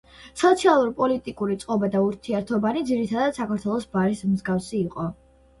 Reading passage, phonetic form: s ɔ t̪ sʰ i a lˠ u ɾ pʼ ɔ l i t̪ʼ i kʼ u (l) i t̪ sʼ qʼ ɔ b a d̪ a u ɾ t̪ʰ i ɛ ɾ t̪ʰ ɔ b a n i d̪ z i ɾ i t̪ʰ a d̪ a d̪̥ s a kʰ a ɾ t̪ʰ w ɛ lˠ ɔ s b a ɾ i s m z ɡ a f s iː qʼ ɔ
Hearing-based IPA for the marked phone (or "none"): ɾ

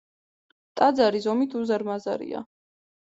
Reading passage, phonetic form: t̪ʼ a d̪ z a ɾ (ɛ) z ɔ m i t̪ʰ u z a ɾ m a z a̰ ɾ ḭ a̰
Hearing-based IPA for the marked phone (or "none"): i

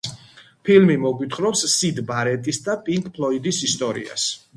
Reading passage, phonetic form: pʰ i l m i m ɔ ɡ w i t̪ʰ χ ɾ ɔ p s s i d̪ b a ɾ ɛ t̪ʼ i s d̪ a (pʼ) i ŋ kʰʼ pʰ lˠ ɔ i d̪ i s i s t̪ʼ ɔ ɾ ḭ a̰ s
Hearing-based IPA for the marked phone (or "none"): pʼ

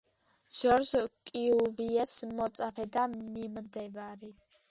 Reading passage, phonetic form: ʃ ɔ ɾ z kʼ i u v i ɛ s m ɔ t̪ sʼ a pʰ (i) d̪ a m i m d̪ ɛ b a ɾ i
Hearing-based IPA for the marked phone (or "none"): ɛ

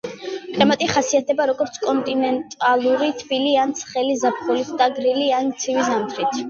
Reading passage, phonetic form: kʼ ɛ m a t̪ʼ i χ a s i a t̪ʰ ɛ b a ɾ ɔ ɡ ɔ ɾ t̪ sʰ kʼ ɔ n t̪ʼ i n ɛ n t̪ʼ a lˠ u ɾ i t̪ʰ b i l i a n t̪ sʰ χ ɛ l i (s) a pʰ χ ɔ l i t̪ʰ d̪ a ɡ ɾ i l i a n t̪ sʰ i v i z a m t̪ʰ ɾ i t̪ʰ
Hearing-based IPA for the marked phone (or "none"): z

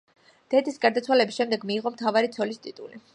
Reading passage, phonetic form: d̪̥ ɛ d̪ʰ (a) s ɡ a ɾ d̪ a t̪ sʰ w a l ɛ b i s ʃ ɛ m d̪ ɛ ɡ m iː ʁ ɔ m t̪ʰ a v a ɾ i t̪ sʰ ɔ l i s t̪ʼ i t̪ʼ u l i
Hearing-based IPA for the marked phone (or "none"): i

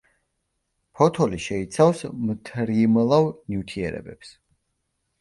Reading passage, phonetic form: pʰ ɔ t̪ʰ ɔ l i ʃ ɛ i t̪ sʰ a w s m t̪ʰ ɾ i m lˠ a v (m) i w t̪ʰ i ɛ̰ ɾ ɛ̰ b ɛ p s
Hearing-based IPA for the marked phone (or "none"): n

